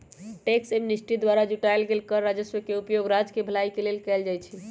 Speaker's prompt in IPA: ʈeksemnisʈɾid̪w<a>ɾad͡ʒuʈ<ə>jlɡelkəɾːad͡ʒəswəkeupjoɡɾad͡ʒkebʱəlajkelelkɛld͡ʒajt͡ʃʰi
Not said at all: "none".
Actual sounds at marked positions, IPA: a, a

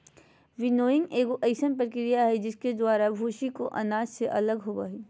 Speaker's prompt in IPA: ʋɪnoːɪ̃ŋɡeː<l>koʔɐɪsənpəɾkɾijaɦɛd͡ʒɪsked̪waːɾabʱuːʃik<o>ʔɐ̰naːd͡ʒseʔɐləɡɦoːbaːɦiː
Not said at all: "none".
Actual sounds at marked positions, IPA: none, o

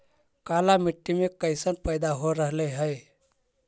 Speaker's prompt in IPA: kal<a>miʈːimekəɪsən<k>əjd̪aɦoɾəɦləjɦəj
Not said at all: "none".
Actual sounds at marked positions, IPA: a, p

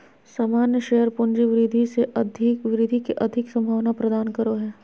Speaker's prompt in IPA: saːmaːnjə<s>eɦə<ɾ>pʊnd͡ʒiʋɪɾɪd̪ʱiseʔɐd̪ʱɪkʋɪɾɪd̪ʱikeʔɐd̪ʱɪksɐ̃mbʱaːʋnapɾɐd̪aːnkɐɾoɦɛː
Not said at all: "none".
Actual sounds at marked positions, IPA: ʃ, ɾ

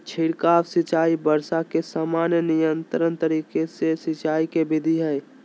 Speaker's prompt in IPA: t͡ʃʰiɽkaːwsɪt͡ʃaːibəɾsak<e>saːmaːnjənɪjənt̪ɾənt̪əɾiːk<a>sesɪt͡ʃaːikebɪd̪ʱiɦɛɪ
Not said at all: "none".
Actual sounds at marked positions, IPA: e, e

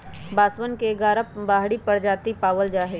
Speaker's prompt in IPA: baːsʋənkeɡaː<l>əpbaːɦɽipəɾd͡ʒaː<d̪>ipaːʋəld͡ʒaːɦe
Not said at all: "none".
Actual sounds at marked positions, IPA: ɾ, t̪

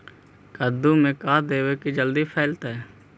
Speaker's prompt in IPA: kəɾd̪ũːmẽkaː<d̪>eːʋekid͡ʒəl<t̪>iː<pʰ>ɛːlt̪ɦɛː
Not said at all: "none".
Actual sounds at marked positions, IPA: d̪, d̪, pʰ

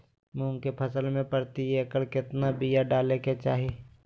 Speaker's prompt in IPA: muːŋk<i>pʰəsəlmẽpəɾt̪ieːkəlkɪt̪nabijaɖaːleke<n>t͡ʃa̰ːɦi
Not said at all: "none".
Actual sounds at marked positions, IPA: e, none

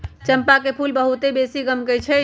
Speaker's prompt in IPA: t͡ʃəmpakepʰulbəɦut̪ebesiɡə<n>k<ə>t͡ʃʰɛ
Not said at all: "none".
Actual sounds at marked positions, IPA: m, ə

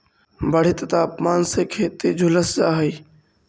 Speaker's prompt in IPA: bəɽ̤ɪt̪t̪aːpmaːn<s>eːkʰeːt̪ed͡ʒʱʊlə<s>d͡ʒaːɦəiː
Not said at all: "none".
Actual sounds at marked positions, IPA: s, s

